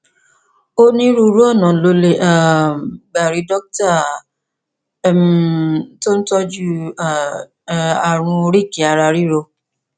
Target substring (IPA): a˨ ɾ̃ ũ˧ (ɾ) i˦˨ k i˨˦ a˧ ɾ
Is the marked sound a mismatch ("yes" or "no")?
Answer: no